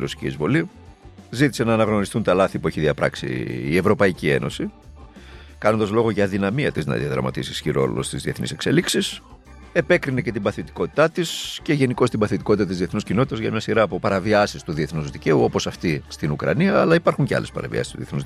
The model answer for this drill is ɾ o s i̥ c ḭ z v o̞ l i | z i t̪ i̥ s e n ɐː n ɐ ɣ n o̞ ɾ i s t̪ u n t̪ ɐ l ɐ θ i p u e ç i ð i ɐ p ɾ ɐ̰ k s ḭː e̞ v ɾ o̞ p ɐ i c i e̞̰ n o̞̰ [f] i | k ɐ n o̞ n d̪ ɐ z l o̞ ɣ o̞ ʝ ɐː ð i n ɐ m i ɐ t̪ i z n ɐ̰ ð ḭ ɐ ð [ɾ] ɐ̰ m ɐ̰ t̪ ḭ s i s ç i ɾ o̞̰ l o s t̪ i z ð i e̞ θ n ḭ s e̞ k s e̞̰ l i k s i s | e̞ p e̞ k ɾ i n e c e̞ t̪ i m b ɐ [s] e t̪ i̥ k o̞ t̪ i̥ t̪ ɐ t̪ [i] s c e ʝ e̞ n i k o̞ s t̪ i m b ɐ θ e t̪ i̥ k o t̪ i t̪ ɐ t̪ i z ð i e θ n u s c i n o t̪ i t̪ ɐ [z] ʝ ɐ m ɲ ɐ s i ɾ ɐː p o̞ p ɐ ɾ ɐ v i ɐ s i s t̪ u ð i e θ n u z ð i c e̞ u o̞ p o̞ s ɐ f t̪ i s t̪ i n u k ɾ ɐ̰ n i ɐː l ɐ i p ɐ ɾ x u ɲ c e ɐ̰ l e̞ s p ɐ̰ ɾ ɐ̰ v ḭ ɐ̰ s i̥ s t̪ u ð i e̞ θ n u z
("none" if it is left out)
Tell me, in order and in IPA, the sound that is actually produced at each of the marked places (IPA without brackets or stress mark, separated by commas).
s, ɾ, θ, i, z